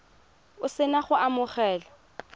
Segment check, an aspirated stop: absent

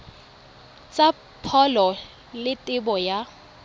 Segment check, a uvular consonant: absent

